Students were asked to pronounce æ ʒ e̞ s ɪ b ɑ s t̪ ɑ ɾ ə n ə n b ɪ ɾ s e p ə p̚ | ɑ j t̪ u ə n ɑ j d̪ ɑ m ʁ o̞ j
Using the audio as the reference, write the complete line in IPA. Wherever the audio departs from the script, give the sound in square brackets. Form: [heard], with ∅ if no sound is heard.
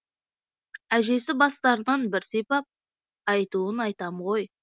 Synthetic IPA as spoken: æ ʒ e̞ s ɪ b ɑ s t̪ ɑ ɾ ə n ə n b ɪ ɾ s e p [ɑ] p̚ | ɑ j t̪ u ə n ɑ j [t̪] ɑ m ʁ o̞ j